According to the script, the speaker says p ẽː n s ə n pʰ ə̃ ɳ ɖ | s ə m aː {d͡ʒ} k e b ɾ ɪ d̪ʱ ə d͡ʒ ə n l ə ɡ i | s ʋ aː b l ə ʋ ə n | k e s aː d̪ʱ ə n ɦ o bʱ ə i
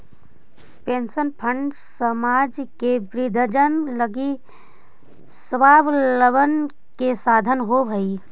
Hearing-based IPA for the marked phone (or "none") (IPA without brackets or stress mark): d͡ʒ